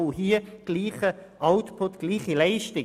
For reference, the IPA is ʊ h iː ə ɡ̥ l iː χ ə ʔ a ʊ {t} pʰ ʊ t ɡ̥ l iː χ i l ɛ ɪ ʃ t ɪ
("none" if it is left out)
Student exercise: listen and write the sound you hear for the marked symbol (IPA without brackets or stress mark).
t